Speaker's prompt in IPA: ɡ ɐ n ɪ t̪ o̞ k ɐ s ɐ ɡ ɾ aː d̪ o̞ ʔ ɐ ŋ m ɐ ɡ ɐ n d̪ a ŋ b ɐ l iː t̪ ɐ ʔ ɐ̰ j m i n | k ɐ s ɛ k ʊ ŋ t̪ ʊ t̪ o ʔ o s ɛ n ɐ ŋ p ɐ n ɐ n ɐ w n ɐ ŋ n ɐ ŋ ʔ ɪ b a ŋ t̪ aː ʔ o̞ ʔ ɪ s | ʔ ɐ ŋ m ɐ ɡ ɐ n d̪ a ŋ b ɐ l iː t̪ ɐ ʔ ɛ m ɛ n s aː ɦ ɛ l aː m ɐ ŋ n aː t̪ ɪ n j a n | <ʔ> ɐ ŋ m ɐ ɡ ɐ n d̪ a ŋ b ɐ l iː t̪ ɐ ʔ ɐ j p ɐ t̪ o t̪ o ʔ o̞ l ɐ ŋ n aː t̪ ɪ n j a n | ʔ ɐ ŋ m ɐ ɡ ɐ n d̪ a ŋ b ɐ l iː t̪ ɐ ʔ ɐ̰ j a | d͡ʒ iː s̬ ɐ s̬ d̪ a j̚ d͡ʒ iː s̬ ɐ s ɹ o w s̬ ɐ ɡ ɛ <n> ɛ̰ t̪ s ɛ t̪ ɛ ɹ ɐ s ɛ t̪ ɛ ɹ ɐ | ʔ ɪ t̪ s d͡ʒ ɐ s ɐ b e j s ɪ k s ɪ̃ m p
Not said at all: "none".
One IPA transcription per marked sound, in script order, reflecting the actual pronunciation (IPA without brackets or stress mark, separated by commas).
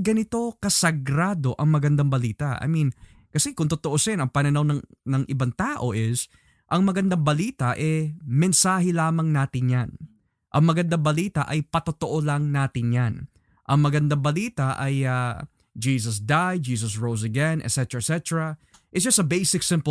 ʔ, n